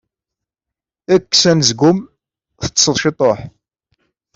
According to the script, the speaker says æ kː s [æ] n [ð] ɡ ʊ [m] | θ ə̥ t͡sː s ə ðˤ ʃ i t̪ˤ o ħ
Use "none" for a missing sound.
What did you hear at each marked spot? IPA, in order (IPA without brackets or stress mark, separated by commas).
æ, z, m